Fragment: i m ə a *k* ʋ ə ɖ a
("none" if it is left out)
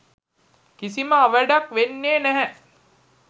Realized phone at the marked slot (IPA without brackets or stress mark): none